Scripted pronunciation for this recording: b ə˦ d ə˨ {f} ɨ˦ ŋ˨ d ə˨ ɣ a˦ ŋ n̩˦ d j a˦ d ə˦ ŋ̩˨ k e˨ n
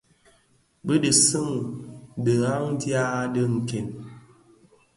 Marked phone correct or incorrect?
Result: incorrect